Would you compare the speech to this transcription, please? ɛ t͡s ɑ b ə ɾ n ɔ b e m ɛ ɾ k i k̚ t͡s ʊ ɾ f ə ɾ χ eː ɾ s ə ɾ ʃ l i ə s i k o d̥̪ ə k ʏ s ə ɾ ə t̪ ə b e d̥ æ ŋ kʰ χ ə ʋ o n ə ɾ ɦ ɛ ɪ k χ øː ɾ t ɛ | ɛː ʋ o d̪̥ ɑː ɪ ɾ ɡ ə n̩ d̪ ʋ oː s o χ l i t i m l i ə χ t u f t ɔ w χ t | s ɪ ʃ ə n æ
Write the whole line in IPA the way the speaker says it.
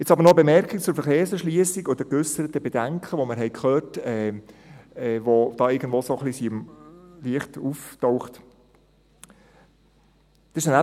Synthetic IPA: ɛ t͡s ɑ b ə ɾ n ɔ b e m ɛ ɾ k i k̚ t͡s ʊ ɾ f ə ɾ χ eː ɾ s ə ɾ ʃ l i ə s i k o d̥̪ ə k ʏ s ə ɾ ə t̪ ə b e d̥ æ ŋ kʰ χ ə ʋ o m ə ɾ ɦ ɛ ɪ k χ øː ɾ t ɛ | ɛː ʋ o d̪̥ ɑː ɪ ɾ ɡ ə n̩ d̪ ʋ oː s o χ l i s i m l i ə χ t u f t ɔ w χ t | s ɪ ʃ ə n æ

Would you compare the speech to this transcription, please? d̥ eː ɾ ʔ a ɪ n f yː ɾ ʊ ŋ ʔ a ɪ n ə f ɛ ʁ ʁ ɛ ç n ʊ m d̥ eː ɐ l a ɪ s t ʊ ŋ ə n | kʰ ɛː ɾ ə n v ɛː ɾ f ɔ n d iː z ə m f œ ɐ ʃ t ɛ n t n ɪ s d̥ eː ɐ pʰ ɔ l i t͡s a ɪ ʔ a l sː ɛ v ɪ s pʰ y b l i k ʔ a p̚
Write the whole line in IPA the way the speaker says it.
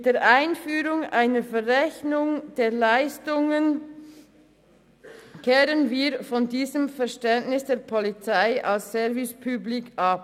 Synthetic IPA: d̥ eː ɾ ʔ a ɪ n f yː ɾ ʊ ŋ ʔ a ɪ n ə f ɛ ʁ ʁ ɛ ç n ʊ ŋ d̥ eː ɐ l a ɪ s t ʊ ŋ ə n | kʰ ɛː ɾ ə n v iː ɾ f ɔ n d iː z ə m f ɛ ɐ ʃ t ɛ n t n ɪ s d̥ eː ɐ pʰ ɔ l i t͡s a ɪ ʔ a l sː ɛ v ɪ s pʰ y b l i k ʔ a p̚

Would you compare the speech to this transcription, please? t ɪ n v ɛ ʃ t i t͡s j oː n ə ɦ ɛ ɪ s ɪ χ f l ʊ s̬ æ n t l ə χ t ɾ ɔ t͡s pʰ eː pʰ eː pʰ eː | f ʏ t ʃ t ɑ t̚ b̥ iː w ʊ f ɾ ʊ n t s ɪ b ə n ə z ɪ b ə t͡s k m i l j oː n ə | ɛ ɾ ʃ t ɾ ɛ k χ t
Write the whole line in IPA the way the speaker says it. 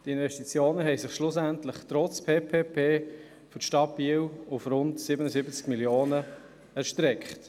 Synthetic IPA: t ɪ n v ɛ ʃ t i t͡s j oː n ə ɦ ɛ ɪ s ɪ χ ʃ l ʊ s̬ æ n t l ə χ t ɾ ɔ t͡s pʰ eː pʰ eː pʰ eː | f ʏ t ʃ t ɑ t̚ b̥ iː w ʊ f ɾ ʊ n t s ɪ b ə n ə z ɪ b ə t͡s k m i l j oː n ə | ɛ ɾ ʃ t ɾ ɛ k χ t

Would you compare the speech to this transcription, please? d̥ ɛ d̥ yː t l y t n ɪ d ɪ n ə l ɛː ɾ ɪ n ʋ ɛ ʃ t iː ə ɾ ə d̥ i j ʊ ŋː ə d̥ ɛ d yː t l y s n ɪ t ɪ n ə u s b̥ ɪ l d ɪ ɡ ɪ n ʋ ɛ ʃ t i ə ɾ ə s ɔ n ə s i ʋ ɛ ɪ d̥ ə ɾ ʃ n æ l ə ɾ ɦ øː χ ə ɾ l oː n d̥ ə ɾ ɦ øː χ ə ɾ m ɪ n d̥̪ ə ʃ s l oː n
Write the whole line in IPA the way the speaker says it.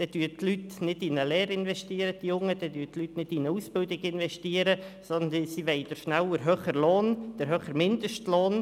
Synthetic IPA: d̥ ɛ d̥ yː t l y t n ɪ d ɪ n ə l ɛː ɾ ɪ n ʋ ɛ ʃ t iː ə ɾ ə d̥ i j ʊ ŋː ə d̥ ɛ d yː t l y t n ɪ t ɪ n ə u s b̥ ɪ l d ɪ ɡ ɪ n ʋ ɛ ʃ t i ə ɾ ə s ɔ n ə s i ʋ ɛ ɪ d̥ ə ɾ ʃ n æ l ə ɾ ɦ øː χ ə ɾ l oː n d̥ ə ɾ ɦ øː χ ə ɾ m ɪ n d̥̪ ə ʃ t l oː n

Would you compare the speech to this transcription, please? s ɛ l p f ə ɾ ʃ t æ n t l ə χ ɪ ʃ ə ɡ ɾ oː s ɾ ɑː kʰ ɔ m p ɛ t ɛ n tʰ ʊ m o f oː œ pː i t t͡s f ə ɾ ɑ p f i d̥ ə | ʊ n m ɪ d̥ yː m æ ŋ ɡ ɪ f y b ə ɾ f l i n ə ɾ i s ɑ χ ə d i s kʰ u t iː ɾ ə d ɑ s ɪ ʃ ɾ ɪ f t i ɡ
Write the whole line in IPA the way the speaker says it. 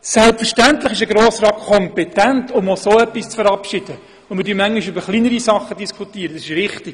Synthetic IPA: s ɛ l p f ə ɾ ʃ t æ n t l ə χ ɪ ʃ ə ɡ ɾ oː s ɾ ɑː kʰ ɔ m p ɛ t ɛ n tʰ ʊ m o s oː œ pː i s t͡s f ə ɾ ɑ p ʃ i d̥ ə | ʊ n m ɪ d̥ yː m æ ŋ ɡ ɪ ʃ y b ə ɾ χ l i n ə ɾ i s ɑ χ ə d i s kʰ u t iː ɾ ə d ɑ s ɪ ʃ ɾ ɪ χ t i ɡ

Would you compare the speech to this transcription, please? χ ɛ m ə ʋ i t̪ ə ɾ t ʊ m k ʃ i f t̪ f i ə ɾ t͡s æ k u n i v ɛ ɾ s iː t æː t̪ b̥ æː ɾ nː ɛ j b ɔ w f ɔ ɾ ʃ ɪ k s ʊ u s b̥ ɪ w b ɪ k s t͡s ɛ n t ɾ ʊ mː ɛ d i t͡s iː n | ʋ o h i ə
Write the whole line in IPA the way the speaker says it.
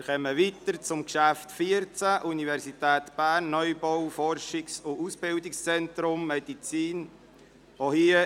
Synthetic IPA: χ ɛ m ə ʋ i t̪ ə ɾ t͡s ʊ m k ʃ æ f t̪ f i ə ɾ t͡s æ ʔ u n i v ɛ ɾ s i t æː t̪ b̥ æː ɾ nː œ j b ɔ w f ɔ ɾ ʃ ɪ k s ʊ u s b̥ ɪ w d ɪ k s t͡s ɛ n t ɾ ʊ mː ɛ d i t͡s iː n | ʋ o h i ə

